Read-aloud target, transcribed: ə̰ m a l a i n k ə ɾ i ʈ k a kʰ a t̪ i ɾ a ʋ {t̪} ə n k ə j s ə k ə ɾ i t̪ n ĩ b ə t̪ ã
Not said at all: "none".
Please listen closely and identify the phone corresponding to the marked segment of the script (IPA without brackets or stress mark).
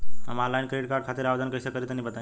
d̪